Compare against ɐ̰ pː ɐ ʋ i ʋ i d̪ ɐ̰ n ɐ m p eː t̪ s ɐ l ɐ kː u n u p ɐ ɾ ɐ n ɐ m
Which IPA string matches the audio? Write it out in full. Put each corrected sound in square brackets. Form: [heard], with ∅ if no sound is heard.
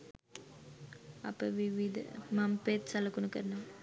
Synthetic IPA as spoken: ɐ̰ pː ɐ ʋ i ʋ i d̪ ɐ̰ [m] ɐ m p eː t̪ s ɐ l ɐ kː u n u [k] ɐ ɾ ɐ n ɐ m